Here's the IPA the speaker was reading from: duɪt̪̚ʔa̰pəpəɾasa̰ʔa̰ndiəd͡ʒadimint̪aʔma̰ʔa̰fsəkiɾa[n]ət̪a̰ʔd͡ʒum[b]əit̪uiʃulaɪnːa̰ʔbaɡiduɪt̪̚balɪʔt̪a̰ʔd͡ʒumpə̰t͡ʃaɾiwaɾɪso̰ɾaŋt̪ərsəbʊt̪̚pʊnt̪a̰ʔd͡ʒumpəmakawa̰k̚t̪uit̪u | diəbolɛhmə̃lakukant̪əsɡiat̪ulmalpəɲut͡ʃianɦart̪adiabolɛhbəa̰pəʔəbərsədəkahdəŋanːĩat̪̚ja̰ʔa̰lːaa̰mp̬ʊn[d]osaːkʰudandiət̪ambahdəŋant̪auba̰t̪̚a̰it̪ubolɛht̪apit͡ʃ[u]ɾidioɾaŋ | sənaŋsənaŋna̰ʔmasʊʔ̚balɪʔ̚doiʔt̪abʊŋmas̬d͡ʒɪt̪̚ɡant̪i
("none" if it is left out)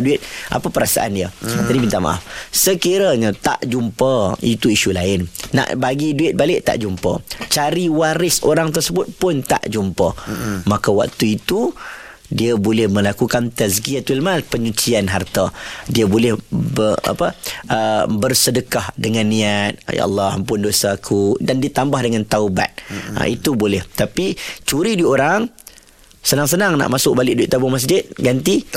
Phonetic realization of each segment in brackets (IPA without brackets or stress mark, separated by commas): ɲ, p, d, u